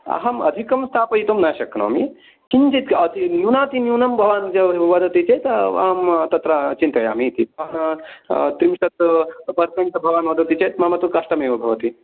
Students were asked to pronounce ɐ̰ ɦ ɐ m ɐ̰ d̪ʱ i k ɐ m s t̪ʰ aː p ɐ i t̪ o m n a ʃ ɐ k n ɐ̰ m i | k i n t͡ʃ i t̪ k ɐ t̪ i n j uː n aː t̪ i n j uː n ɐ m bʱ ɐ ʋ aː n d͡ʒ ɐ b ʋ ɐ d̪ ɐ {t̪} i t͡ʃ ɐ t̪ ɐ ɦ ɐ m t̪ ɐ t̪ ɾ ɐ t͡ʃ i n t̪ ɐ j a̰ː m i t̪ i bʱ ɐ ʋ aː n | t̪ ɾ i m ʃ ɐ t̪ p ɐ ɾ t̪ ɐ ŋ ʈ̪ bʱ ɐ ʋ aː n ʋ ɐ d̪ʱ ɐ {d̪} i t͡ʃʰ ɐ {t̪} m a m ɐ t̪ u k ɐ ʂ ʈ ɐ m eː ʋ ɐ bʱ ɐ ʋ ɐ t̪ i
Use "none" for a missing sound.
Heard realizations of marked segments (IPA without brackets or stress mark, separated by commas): t̪, t̪, t̪